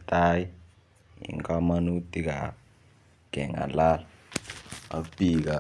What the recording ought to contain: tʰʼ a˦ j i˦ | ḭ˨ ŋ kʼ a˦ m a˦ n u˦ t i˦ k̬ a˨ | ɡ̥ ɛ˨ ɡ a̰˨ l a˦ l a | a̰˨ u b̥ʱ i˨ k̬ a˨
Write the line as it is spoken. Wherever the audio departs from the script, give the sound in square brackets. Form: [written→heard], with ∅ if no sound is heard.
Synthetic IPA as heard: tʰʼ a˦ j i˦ | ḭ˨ ŋ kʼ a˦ m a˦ n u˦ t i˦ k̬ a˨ | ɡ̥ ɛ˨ [ɡ→ŋ] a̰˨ l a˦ l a | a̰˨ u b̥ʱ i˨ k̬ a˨